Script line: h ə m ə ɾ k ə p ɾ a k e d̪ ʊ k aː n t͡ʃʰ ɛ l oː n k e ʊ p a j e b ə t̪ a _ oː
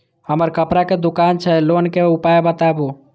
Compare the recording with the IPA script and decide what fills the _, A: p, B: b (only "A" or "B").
B